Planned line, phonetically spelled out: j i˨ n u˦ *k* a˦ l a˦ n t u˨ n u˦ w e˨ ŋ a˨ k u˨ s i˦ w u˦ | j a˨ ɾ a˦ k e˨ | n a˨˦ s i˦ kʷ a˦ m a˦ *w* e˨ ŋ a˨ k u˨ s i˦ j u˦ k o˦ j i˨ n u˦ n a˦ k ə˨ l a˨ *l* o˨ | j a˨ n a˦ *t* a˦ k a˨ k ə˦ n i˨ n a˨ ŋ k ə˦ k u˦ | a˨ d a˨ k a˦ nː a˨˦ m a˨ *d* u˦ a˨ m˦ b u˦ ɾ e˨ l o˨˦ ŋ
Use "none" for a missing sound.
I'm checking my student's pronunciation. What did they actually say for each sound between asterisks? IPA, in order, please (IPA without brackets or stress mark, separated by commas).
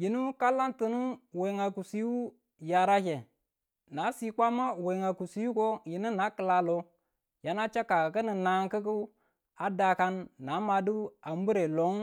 k, w, l, t͡ʃ, d